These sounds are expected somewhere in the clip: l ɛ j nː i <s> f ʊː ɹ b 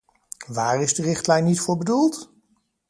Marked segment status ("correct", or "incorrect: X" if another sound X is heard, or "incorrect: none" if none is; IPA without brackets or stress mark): incorrect: t